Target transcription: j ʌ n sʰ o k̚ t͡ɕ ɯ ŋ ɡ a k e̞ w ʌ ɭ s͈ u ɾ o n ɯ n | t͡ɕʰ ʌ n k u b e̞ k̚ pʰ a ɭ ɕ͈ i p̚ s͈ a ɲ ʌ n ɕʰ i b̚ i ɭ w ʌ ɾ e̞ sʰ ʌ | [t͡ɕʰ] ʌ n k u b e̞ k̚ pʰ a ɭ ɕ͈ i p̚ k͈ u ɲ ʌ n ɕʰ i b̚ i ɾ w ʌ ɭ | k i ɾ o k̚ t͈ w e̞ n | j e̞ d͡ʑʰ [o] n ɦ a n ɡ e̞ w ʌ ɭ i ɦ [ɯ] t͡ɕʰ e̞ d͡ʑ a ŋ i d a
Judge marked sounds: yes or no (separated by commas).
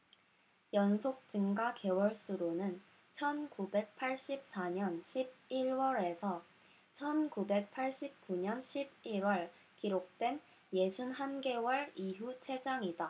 yes, no, no